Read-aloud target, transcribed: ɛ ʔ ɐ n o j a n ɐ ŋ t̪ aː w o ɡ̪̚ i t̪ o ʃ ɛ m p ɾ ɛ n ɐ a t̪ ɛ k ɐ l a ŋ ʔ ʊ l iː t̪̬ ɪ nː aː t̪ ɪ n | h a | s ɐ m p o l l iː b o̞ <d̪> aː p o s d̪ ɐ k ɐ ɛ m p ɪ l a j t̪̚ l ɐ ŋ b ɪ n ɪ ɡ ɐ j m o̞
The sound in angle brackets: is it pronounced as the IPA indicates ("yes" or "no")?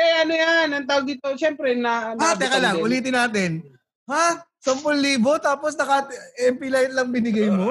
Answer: no